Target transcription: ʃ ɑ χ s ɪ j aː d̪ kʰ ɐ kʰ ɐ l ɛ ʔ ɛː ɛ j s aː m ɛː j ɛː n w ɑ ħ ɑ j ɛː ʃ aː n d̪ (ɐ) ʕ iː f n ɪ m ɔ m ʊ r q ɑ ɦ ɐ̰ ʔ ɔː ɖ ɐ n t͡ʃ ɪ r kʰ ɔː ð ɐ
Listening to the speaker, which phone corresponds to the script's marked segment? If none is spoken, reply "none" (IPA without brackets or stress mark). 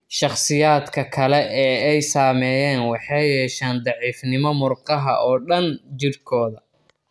ɑ